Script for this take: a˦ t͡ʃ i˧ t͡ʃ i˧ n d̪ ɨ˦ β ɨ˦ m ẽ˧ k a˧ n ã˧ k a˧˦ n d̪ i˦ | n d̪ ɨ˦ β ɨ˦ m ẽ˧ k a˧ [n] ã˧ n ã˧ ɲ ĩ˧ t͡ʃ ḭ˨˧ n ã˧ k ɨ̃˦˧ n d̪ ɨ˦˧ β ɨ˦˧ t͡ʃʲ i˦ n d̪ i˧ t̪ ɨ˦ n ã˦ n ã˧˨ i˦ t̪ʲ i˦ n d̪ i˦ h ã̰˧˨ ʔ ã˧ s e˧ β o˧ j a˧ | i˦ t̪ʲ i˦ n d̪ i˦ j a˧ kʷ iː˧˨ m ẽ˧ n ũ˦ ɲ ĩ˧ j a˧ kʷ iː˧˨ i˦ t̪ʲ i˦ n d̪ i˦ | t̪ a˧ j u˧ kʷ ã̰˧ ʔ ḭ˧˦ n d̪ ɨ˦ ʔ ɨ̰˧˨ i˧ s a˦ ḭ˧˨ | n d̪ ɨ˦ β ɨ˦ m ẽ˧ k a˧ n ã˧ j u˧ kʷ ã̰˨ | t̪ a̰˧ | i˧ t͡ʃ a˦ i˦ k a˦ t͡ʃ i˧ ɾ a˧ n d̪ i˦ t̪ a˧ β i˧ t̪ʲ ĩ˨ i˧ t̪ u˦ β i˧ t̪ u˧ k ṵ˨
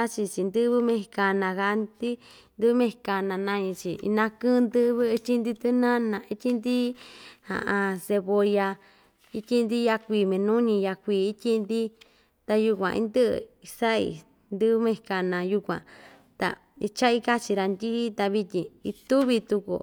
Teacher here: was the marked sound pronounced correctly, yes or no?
yes